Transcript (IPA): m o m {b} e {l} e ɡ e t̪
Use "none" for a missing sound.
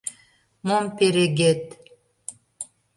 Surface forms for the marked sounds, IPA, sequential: p, ɾ

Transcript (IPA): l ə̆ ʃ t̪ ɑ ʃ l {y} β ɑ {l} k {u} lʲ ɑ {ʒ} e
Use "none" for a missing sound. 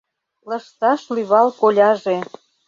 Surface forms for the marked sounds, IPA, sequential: y, l, o, ʒ

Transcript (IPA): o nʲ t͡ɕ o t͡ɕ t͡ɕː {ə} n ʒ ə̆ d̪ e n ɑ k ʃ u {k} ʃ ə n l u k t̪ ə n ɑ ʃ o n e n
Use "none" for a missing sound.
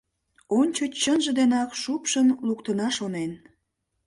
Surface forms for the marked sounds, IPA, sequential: ə, p

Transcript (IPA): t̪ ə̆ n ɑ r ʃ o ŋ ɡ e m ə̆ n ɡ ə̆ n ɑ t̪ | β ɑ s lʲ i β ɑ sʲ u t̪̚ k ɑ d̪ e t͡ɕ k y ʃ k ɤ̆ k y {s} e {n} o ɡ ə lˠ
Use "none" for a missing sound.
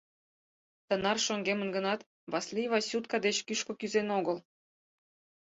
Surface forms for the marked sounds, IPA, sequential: z, n

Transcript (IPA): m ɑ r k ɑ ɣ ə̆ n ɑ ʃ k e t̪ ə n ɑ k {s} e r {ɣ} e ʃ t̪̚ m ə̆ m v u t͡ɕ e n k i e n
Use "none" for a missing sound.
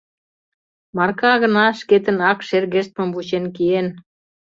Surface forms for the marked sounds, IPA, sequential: ʃ, ɣ

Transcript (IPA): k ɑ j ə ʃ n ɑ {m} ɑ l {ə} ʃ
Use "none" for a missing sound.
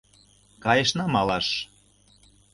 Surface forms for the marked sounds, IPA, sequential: m, ɑ

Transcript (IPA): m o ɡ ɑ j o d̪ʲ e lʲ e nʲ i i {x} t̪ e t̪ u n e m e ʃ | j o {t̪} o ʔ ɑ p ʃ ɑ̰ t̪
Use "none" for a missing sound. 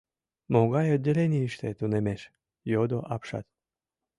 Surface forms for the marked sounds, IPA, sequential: ʃ, d̪

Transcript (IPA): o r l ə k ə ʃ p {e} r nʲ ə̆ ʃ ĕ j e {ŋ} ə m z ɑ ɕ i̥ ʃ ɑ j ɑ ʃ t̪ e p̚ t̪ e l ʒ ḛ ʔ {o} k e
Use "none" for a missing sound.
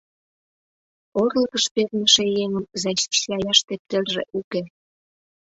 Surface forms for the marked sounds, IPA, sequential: e, ŋ, u

